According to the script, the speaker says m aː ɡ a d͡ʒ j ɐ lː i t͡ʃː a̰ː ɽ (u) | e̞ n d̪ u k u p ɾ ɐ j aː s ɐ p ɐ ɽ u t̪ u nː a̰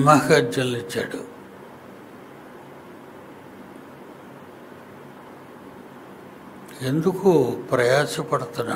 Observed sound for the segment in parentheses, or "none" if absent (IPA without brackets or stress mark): u